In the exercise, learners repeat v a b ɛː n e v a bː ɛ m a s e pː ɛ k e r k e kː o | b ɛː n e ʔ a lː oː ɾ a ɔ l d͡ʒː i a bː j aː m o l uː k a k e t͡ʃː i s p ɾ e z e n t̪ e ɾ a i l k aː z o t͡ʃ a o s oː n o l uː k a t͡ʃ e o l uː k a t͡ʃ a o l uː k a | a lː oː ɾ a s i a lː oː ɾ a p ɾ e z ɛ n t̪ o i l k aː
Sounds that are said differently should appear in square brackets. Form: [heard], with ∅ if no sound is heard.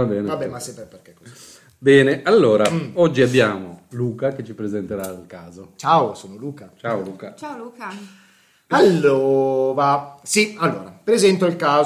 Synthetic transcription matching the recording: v a b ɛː n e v a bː ɛ m a s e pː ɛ [p] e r k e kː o | b ɛː n e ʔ a lː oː ɾ a ɔ [∅] d͡ʒː i a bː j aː m o l uː k a k e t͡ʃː i [∅] p ɾ e z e n t̪ e ɾ a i l k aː z o t͡ʃ a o s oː n o l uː k a t͡ʃ [a] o l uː k a t͡ʃ a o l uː k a | a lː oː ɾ a s i a lː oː ɾ a p ɾ e z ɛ n t̪ o i l k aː